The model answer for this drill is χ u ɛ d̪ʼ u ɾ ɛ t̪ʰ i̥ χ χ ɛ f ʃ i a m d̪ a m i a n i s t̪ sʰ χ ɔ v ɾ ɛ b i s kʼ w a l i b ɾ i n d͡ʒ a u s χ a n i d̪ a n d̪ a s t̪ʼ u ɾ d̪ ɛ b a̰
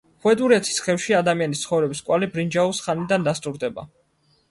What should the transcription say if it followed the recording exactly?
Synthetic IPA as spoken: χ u ɛ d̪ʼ u ɾ ɛ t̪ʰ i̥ s χ ɛ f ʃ i a d̪ a m i a n i s t̪ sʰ χ ɔ v ɾ ɛ b i s kʼ w a l i b ɾ i n d͡ʒ a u s χ a n i d̪ a n d̪ a s t̪ʼ u ɾ d̪ ɛ b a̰